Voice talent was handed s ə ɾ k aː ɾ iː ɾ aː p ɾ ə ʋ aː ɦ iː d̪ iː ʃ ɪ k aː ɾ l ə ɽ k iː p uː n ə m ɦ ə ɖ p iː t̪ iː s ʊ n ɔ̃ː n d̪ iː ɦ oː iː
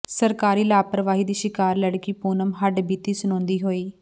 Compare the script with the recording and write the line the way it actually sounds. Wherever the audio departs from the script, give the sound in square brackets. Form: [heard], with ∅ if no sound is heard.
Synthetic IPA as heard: s ə ɾ k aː ɾ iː [l] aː p ɾ ə ʋ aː ɦ iː d̪ iː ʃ ɪ k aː ɾ l ə ɽ k iː p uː n ə m ɦ ə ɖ [b] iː t̪ iː s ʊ n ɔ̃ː n d̪ iː ɦ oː iː